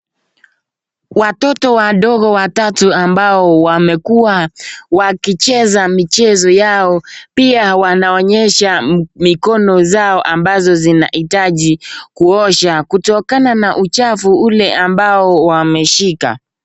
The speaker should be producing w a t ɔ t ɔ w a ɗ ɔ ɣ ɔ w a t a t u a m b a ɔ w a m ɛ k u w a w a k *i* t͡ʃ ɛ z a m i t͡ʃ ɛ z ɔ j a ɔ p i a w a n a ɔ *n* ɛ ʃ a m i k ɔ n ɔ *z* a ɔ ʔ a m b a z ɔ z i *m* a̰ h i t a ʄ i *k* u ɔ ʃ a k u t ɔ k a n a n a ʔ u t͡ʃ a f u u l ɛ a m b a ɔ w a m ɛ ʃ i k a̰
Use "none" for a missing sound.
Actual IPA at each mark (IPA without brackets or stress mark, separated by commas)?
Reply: i, ɲ, z, n, k